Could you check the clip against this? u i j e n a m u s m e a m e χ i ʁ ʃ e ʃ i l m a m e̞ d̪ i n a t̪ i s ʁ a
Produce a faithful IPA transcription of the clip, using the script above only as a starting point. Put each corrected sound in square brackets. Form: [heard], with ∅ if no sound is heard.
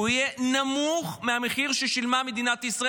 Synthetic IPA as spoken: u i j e n a m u [χ] m e a m e χ i ʁ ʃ e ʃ i l m a m e̞ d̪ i n a t̪ i s ʁ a